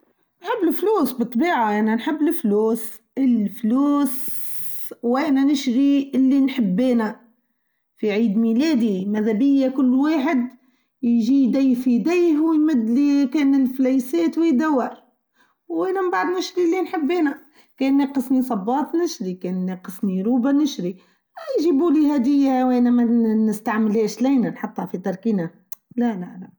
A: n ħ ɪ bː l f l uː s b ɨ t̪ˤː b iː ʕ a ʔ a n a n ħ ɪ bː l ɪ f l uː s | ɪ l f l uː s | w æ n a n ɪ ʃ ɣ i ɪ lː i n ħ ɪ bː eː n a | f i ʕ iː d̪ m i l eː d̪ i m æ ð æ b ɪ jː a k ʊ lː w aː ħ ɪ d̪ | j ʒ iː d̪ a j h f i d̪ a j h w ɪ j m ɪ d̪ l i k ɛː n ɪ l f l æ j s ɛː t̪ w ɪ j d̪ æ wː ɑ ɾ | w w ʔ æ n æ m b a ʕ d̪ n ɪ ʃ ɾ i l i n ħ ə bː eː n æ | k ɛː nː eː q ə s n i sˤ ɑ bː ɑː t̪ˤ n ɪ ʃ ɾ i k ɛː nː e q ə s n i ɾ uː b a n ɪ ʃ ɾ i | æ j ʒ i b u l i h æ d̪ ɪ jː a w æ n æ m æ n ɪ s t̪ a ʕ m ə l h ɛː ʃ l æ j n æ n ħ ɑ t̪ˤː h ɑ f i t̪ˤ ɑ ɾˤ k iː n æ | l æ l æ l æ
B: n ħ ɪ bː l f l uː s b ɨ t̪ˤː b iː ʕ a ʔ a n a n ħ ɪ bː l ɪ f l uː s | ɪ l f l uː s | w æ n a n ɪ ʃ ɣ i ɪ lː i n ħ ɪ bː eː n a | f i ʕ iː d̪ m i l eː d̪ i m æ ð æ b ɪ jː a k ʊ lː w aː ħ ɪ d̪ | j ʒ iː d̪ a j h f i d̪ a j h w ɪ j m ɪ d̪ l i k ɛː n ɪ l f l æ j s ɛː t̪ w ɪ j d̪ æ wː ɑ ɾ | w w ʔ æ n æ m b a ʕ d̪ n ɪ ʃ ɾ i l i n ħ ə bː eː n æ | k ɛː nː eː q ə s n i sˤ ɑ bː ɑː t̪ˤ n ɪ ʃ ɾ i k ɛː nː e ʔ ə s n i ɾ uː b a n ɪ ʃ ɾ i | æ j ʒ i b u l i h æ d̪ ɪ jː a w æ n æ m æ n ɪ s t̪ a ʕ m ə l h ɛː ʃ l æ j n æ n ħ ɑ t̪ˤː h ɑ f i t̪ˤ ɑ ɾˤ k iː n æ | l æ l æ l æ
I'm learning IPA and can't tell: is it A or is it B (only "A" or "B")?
A